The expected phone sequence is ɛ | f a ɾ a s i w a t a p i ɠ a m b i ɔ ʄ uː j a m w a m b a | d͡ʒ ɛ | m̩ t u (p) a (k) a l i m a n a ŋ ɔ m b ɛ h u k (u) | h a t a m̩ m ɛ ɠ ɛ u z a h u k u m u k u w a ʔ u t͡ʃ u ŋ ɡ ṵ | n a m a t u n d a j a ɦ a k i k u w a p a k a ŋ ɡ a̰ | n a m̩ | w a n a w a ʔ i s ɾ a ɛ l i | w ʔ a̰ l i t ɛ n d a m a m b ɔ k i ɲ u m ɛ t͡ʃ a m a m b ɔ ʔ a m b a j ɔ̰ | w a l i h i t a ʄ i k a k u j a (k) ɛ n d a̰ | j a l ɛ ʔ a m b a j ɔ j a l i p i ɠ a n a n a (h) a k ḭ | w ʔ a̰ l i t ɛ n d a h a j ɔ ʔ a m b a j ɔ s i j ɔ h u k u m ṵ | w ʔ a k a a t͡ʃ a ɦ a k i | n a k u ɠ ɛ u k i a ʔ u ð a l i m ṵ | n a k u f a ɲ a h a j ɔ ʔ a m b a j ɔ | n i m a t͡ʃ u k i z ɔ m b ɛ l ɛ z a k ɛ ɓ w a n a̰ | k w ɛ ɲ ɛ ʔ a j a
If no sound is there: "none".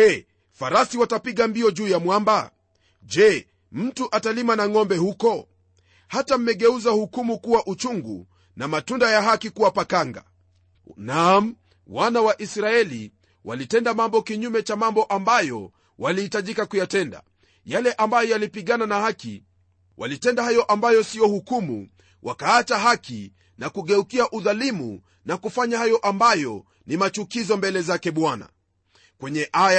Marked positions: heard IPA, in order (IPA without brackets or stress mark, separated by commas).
ʔ, t, ɔ, t, h